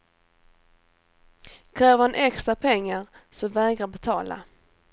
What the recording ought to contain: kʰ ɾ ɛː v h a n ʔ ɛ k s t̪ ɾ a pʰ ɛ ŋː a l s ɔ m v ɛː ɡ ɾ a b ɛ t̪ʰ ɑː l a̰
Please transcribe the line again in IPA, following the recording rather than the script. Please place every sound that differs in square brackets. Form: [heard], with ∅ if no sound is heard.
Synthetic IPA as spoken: kʰ ɾ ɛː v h a n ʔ ɛ k s t̪ ɾ a pʰ ɛ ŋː a [ɾ] s ɔ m v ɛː ɡ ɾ a b ɛ t̪ʰ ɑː l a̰